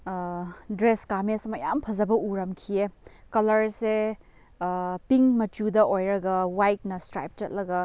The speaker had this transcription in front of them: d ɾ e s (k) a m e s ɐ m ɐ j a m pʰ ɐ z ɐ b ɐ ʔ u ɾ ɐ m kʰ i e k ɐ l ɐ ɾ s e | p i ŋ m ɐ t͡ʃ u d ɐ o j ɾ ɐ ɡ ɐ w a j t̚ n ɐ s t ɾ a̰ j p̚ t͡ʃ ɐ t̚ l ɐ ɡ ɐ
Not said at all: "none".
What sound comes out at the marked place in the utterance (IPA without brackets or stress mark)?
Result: k